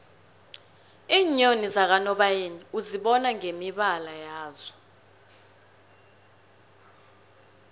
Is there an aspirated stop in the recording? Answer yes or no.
no